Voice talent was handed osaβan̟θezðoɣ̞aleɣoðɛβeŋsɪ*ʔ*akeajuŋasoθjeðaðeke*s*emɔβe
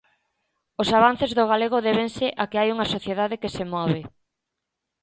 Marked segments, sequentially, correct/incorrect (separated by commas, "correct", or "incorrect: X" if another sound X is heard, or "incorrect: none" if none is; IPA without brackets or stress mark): correct, correct